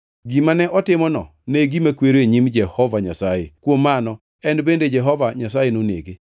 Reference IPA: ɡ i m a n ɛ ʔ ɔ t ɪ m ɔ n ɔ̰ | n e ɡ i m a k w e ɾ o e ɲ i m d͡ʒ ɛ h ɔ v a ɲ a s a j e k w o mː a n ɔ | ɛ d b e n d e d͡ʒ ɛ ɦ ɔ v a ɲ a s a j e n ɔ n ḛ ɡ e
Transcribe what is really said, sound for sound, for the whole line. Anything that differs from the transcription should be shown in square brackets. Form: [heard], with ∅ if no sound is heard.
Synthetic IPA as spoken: ɡ i m a n ɛ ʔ ɔ t ɪ m ɔ n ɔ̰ | n e ɡ i m a k w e ɾ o e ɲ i m d͡ʒ ɛ h ɔ v a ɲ a s a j e k w o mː a n ɔ | ɛ [n] b e n d e d͡ʒ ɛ ɦ ɔ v a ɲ a s a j e n [o] n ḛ ɡ e

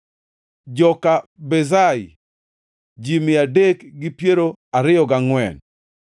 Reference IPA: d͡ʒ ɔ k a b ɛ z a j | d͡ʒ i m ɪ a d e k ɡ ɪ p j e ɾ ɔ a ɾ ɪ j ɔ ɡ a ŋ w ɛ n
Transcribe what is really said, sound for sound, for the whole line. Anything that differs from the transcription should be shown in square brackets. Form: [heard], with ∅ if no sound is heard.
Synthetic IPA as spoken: d͡ʒ ɔ k a b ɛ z a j | d͡ʒ i m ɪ a d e k ɡ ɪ p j e ɾ [o] a ɾ ɪ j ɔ ɡ a ŋ w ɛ n

